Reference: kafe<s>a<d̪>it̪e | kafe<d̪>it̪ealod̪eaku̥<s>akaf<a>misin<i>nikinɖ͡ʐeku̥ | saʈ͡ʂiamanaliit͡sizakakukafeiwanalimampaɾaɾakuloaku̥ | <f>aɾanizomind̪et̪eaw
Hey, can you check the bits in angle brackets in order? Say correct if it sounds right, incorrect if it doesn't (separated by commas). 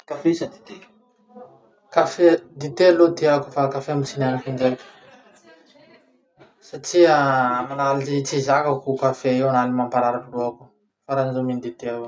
correct, correct, correct, incorrect, incorrect, incorrect, correct